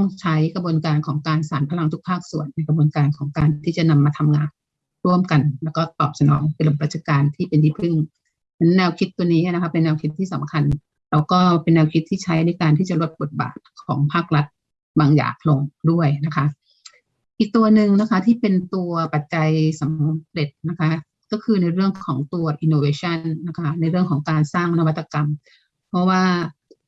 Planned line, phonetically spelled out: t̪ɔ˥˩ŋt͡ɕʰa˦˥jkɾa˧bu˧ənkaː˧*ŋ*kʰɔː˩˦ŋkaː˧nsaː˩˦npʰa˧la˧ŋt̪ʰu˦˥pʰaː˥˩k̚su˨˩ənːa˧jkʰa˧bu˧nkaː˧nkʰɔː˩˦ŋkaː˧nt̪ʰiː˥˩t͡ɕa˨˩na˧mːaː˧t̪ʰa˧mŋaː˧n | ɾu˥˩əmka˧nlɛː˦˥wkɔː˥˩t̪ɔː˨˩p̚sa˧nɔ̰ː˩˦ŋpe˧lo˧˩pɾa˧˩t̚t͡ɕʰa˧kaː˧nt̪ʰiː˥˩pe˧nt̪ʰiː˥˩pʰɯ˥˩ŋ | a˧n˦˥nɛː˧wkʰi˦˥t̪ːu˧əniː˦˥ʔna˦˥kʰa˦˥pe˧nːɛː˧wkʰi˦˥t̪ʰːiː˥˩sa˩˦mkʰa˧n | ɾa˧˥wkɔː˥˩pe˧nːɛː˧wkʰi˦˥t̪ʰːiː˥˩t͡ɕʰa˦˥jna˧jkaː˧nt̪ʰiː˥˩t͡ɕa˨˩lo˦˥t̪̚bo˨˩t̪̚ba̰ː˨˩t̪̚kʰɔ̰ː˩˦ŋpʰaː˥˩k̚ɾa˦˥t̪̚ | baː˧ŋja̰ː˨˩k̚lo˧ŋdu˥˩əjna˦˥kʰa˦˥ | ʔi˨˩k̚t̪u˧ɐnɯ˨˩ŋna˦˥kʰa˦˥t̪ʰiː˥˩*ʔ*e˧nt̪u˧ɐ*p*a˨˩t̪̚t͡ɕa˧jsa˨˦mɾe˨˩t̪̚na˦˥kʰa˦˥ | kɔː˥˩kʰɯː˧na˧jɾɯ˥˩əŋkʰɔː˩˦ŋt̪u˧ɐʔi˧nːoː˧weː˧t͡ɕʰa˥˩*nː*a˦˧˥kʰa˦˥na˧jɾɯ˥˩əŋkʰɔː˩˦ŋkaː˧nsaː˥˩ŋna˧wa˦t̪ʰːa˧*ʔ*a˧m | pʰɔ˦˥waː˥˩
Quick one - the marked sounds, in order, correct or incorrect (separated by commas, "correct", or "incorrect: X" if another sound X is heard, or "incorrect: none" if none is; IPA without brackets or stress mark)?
incorrect: n, incorrect: p, correct, correct, incorrect: k